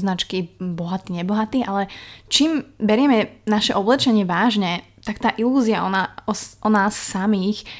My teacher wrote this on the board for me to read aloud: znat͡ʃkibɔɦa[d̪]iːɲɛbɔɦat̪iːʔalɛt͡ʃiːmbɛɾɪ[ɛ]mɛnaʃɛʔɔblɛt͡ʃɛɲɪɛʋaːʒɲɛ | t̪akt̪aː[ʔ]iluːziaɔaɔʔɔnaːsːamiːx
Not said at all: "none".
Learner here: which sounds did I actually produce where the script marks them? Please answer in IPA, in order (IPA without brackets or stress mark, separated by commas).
t̪, ɛ, ʔ